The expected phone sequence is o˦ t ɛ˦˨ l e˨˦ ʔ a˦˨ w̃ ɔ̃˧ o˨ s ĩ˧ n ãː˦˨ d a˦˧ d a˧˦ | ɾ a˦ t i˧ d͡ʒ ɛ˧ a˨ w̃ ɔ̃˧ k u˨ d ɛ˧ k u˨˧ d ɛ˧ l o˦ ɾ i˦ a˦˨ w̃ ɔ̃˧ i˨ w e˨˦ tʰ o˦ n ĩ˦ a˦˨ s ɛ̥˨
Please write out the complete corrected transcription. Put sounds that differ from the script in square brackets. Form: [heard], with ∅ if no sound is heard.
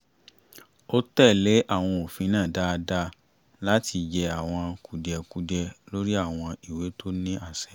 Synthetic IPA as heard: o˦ t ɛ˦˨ l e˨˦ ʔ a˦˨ w̃ ɔ̃˧ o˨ [f] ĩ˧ n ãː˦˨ d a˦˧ d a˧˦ | [l] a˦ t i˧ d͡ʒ ɛ˧ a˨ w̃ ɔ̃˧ k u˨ d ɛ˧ k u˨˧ d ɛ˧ l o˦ ɾ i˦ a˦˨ w̃ ɔ̃˧ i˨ w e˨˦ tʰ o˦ n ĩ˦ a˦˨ s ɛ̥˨